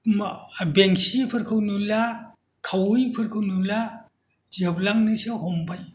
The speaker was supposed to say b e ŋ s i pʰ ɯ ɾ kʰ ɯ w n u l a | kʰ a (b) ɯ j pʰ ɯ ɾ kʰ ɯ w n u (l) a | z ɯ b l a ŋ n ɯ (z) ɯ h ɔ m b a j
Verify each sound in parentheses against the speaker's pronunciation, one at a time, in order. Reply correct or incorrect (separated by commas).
incorrect, correct, incorrect